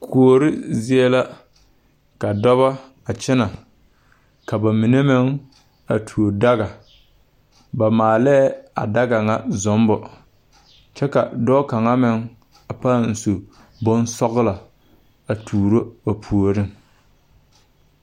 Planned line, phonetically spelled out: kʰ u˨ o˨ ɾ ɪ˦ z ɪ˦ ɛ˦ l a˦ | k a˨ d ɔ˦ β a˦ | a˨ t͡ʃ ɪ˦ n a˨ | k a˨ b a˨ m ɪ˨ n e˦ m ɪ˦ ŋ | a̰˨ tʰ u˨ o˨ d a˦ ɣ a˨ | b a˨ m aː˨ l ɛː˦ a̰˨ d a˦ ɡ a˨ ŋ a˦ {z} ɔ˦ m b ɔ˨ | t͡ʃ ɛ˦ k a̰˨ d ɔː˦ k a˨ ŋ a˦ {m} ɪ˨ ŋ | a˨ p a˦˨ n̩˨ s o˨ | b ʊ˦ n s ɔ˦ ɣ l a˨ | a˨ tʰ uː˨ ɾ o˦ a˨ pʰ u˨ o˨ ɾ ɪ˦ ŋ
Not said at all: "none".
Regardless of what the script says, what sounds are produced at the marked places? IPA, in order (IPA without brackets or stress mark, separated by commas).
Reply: z, m